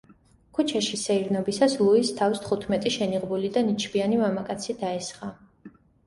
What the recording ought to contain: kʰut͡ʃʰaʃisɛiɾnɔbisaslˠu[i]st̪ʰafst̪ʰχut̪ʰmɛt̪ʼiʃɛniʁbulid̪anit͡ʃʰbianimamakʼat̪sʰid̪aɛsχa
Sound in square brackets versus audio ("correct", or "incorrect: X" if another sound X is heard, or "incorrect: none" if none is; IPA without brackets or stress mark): correct